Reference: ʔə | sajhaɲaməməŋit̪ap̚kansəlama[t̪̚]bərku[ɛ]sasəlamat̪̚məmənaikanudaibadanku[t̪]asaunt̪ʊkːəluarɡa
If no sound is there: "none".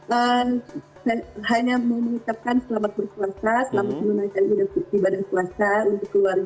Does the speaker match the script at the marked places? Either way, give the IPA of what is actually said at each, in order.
t̪̚, a, none

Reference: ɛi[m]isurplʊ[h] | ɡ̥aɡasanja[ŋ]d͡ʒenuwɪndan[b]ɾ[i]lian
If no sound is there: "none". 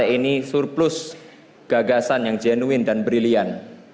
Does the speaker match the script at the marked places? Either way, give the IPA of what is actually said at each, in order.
n, s, ŋ, b, i

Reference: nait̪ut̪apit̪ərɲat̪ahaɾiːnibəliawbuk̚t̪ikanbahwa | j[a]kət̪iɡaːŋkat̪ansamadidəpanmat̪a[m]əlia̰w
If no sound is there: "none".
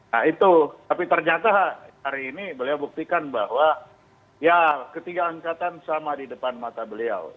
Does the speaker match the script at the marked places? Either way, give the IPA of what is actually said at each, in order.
a, b

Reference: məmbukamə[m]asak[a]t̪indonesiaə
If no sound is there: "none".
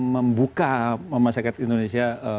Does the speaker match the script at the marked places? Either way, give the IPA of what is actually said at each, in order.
m, a

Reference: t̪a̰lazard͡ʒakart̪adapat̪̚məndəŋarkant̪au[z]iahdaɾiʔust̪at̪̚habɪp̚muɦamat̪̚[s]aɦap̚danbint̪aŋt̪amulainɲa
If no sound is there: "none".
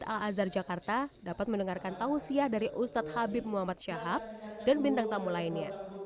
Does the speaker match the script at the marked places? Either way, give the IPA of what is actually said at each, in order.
s, ʃ

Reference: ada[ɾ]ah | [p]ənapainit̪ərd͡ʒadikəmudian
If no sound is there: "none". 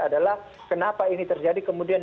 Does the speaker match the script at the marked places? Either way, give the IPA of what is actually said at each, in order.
l, k

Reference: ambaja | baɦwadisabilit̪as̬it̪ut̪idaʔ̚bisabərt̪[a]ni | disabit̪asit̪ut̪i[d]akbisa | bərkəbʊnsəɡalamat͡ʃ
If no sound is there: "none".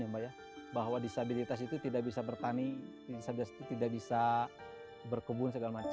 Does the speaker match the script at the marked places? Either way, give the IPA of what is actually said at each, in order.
a, d

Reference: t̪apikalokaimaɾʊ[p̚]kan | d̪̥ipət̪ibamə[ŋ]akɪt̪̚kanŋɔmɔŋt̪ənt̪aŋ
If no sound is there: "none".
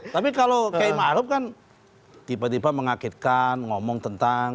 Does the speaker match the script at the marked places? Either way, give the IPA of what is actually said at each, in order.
p̚, ŋ

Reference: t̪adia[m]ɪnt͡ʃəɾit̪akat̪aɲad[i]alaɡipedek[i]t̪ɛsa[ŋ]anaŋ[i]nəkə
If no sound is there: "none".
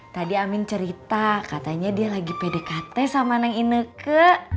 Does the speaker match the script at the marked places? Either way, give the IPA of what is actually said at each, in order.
m, i, a, m, i

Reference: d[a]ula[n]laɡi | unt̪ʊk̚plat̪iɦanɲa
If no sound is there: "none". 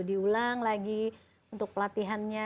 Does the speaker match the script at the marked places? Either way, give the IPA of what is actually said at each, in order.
i, ŋ

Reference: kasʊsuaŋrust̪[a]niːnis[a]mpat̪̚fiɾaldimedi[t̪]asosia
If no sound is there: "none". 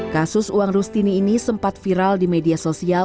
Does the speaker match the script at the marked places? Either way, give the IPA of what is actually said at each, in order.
i, ə, none

